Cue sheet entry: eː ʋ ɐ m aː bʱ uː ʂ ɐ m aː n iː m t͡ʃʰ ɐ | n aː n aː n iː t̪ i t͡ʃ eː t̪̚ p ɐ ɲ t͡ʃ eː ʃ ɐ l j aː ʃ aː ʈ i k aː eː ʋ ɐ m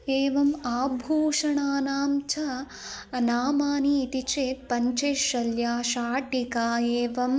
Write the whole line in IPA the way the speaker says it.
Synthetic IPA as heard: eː ʋ ɐ m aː bʱ uː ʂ ɐ ɳ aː n aː m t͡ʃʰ ɐ | n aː m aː n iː t̪ i t͡ʃ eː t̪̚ p ɐ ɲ t͡ʃ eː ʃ ɐ l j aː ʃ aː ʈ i k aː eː ʋ ɐ m